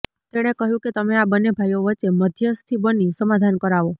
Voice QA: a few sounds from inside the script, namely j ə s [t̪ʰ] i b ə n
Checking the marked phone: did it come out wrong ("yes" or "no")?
no